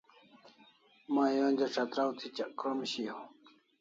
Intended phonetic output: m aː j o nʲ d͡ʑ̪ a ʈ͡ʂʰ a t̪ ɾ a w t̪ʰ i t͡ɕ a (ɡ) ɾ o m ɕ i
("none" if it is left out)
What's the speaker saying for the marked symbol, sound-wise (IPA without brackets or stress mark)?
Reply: k